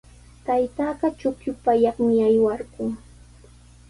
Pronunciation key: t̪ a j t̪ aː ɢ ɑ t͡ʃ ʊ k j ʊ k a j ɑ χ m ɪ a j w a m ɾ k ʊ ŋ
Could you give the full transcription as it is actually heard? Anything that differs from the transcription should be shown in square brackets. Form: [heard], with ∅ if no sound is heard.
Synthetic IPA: t̪ a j t̪ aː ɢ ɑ t͡ʃ ʊ k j ʊ [p] a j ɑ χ m ɪ a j w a [∅] ɾ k ʊ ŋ